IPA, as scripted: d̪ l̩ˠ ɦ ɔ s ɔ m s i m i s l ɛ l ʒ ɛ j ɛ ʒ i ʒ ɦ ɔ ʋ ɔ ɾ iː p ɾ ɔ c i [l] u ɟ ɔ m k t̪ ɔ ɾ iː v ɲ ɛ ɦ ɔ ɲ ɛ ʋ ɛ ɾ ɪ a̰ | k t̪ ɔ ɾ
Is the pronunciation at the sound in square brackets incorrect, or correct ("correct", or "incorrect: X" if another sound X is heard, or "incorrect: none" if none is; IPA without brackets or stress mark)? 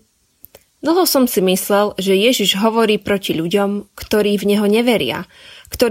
incorrect: ʎ